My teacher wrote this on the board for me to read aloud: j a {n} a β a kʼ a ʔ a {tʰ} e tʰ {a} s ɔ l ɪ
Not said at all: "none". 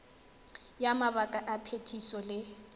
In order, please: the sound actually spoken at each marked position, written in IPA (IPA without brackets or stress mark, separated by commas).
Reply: m, pʰ, i